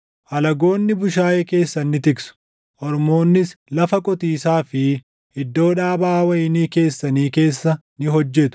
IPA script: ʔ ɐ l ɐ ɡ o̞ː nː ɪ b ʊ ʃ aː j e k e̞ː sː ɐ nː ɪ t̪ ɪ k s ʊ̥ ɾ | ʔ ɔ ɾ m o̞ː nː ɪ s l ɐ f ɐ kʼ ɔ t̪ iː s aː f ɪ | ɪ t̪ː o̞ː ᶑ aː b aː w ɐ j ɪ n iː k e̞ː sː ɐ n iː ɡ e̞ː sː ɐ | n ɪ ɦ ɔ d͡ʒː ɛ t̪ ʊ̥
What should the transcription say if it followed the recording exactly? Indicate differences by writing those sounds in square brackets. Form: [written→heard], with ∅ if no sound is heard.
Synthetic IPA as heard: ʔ ɐ l ɐ ɡ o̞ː nː ɪ b ʊ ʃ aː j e k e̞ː sː ɐ nː ɪ t̪ ɪ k s ʊ̥ [ɾ→∅] | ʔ ɔ ɾ m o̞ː nː ɪ s l ɐ f ɐ kʼ ɔ t̪ iː s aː f ɪ | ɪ [t̪ː→d̪ː] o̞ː ᶑ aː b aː w ɐ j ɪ n iː k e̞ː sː ɐ n iː [ɡ→k] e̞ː sː ɐ | n ɪ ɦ ɔ d͡ʒː ɛ t̪ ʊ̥